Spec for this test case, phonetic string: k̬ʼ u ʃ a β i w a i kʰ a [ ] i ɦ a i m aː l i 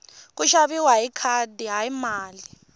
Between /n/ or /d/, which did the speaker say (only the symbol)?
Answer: d